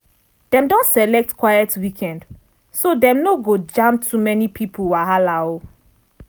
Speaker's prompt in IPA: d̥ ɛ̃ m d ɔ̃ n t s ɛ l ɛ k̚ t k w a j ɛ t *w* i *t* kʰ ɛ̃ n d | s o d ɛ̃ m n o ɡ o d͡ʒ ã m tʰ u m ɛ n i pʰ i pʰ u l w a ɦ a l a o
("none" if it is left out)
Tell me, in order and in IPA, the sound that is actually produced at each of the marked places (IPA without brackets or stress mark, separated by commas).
w, none